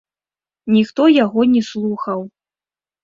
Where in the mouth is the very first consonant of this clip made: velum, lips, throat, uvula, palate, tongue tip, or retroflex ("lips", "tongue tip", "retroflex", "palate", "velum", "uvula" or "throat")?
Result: tongue tip